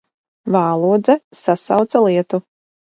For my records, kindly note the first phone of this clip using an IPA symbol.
v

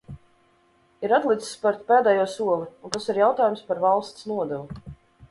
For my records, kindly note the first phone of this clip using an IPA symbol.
i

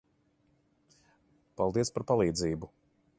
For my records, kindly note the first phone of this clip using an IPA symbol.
p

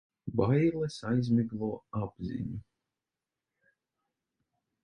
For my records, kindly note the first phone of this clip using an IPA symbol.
b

